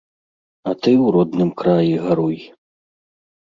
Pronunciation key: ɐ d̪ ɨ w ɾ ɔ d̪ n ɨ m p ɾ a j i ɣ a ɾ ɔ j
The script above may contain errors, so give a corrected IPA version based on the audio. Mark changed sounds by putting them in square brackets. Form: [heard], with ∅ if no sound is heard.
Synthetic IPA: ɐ [t̪] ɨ w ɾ ɔ d̪ n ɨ m [k] ɾ a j i ɣ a ɾ [u] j